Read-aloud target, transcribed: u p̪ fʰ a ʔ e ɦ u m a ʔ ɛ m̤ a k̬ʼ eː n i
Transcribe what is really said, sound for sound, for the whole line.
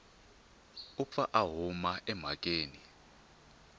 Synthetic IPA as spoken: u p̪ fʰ a ʔ a ɦ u m a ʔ ɛ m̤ a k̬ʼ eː n i